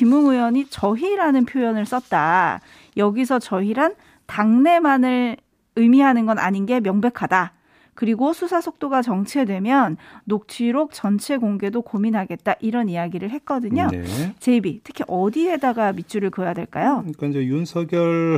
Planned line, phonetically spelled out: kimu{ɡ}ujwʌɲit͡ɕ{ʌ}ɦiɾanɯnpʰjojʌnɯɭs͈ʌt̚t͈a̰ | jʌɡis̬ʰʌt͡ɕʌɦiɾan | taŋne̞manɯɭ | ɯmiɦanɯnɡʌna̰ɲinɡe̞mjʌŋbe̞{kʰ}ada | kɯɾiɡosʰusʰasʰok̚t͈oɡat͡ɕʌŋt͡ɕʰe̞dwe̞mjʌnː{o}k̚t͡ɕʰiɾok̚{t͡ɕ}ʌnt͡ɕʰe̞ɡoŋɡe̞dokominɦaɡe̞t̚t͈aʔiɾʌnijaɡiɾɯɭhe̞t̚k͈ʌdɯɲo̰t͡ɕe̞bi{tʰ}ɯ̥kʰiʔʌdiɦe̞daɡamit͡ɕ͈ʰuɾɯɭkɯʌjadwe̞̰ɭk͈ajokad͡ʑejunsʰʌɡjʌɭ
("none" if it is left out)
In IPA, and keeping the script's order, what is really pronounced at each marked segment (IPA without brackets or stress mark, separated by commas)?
ŋ, ʌ, kʰ, o, t͡ɕ, tʰ